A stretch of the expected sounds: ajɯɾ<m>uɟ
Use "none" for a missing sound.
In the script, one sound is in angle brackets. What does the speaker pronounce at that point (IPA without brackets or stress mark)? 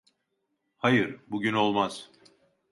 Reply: b